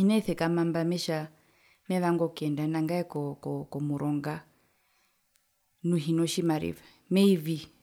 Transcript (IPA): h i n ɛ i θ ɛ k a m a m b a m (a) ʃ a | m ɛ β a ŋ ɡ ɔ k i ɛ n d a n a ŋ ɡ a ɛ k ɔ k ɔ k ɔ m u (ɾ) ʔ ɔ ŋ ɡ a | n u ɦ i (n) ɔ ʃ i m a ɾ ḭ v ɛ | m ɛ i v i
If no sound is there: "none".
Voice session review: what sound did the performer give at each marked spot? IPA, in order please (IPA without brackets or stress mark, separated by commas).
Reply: ɛ, ɾ, n